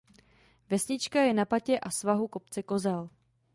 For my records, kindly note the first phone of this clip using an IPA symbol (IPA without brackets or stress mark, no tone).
v